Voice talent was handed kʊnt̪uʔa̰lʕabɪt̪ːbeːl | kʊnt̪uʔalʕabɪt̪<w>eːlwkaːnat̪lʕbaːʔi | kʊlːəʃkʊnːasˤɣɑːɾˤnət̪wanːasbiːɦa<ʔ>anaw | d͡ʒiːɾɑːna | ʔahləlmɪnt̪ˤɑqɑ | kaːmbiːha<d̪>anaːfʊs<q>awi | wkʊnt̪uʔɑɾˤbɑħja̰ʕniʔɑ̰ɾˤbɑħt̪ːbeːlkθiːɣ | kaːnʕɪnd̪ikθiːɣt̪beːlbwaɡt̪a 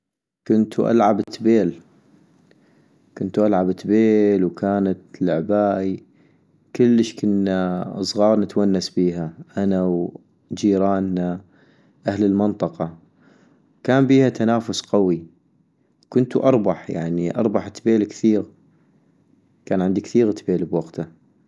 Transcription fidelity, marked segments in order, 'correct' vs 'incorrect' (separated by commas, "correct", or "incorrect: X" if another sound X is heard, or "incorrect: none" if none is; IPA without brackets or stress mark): incorrect: b, correct, incorrect: t̪, correct